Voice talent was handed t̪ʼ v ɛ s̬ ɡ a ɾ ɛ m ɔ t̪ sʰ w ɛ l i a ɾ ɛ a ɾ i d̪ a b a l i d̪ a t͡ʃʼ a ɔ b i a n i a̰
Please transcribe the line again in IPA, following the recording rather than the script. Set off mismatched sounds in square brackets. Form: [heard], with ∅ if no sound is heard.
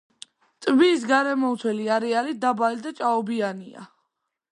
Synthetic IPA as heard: t̪ʼ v [i] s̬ ɡ a ɾ ɛ m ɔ t̪ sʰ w ɛ l i a ɾ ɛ a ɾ i d̪ a b a l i d̪ a t͡ʃʼ a ɔ b i a n i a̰